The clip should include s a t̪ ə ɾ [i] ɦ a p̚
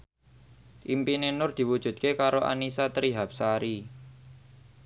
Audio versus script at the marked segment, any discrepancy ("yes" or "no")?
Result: no